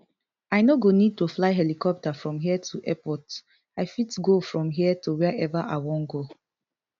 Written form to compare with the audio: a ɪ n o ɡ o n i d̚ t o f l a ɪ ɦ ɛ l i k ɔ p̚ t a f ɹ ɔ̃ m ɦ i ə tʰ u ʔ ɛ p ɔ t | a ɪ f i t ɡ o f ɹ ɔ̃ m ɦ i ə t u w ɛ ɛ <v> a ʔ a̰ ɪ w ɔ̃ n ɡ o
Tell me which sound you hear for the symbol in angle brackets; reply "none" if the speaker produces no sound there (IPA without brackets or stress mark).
v